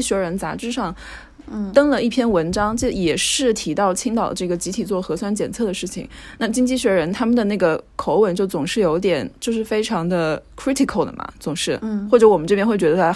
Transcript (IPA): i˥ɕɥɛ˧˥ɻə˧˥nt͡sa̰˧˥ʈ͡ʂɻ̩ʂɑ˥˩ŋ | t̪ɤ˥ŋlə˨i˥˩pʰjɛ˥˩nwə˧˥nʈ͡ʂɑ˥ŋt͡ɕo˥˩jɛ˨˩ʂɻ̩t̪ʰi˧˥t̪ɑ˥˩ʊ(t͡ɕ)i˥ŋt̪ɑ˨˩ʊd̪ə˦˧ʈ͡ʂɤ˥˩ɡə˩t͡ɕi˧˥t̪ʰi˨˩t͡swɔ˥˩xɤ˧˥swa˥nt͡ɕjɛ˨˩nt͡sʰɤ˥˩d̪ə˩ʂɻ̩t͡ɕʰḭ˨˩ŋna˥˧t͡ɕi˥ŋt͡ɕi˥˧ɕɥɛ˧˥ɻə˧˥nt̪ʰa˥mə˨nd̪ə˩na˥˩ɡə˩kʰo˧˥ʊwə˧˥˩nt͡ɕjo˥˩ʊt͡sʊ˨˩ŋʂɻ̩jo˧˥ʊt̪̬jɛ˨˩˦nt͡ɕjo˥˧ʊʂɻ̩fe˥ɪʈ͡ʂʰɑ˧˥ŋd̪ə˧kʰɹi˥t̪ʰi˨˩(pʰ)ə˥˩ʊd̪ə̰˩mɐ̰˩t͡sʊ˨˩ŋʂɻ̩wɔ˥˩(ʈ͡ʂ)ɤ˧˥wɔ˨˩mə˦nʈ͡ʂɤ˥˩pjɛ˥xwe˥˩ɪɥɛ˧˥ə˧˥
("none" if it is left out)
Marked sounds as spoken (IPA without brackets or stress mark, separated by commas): t͡ɕʰ, kʰ, ʈ͡ʂ